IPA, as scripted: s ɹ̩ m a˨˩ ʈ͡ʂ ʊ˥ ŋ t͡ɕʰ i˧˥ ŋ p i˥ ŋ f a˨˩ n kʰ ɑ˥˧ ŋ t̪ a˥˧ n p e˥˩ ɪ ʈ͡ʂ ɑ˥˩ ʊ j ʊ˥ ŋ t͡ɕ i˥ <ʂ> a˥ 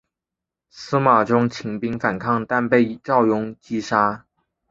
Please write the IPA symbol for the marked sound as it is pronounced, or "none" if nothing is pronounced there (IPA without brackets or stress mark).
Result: ʂ